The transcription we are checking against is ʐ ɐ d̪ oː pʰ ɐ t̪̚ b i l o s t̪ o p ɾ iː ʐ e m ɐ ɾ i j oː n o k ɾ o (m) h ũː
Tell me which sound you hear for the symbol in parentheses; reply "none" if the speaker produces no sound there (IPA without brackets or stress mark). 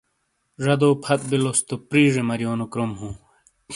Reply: m